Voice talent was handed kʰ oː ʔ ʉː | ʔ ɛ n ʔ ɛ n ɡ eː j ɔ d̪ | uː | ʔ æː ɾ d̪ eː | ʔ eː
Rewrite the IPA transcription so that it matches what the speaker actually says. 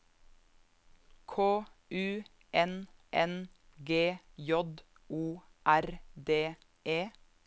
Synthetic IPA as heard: kʰ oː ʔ ʉː | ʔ ɛ n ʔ ɛ n ɡ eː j ɔ d̪ | uː | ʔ æ ɾ d̪ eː | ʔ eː